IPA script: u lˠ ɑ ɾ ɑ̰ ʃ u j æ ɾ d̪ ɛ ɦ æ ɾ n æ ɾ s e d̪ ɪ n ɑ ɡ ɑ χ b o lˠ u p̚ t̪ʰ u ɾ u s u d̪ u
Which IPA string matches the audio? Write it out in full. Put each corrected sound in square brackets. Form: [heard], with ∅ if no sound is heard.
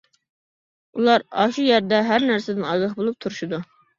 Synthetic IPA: u lˠ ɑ ɾ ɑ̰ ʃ u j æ ɾ d̪ ɛ ɦ æ ɾ n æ ɾ s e d̪ ɪ n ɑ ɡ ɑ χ b o lˠ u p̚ t̪ʰ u ɾ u [ʃ] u d̪ u